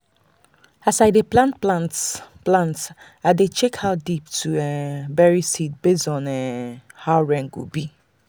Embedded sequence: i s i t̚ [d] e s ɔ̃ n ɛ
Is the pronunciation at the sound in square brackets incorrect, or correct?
incorrect